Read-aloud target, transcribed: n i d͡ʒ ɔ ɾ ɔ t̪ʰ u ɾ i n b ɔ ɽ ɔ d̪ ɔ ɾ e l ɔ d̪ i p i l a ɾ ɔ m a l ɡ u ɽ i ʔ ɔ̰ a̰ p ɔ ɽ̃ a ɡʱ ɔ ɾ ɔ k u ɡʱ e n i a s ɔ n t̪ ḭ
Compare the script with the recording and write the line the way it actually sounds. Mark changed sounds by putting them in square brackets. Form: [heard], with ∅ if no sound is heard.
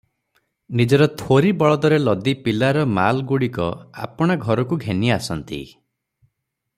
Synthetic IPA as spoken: n i d͡ʒ ɔ ɾ ɔ t̪ʰ [o] ɾ i [∅] b ɔ [ɭ] ɔ d̪ ɔ ɾ e l ɔ d̪ i p i l a ɾ ɔ m a l ɡ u ɽ i [k] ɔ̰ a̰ p ɔ ɽ̃ a ɡʱ ɔ ɾ ɔ k u ɡʱ e n i a s ɔ n t̪ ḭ

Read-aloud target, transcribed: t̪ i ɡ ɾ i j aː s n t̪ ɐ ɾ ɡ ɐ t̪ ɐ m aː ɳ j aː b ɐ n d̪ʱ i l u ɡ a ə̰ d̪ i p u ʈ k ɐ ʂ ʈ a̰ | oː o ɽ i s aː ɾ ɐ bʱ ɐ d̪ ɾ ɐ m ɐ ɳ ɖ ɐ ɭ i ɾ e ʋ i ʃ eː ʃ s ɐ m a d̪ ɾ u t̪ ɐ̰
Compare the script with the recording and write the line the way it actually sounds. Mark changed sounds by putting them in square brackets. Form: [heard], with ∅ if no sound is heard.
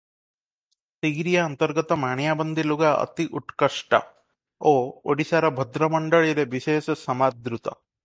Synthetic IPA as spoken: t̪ i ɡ ɾ i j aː [∅] n t̪ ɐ ɾ ɡ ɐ t̪ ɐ m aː ɳ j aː b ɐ n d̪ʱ i l u ɡ a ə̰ [t̪] i [ʔ] u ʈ k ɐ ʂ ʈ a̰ | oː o ɽ i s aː ɾ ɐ bʱ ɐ d̪ ɾ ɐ m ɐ ɳ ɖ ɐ ɭ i ɾ e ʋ i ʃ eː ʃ s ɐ m a d̪ ɾ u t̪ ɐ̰

